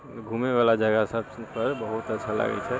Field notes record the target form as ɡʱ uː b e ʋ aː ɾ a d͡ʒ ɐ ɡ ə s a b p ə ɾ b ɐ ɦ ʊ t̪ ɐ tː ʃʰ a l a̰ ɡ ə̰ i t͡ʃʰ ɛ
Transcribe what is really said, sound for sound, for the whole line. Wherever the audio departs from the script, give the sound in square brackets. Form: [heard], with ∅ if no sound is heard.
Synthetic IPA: ɡʱ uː [m] e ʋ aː [l] a d͡ʒ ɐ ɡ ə s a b p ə ɾ b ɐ ɦ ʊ t̪ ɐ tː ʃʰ a l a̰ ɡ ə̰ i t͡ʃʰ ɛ